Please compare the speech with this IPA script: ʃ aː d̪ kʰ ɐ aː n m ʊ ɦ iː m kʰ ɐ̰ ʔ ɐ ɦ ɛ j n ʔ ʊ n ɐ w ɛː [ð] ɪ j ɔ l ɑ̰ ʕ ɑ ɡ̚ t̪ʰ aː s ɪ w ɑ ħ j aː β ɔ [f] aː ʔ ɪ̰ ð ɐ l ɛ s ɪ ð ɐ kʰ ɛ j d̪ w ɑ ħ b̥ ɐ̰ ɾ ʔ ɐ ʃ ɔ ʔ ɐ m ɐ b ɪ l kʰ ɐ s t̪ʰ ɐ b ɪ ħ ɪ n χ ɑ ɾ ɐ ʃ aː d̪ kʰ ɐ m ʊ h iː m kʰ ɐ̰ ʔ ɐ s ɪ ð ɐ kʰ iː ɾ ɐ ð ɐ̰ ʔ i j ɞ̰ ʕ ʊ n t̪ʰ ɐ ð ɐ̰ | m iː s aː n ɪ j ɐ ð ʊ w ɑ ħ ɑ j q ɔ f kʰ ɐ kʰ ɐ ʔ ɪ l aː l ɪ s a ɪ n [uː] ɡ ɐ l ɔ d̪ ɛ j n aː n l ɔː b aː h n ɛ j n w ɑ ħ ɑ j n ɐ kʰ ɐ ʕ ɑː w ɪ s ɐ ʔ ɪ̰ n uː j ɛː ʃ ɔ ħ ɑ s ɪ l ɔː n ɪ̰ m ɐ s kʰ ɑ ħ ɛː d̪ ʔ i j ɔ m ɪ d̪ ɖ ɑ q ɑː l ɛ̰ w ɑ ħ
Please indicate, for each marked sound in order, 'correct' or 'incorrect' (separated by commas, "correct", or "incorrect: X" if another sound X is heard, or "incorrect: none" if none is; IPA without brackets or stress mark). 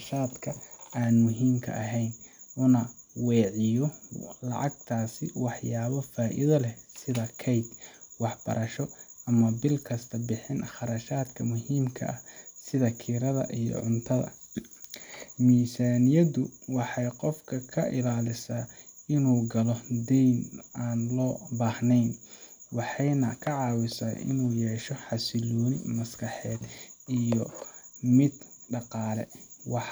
incorrect: ʕ, correct, correct